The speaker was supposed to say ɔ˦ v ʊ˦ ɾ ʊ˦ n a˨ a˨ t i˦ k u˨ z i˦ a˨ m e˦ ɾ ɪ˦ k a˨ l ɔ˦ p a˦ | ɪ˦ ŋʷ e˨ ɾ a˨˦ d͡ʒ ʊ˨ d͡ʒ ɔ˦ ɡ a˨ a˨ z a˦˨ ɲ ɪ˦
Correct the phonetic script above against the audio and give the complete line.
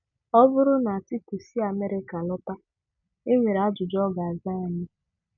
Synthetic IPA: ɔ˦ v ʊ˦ ɾ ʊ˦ n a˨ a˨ t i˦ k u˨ s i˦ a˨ m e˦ ɾ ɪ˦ k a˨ l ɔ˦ p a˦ | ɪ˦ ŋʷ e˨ ɾ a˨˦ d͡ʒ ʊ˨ d͡ʒ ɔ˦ ɡ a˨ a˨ z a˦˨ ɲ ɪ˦